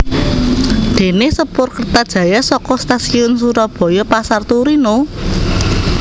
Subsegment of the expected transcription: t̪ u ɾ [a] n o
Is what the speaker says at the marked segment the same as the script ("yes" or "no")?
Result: no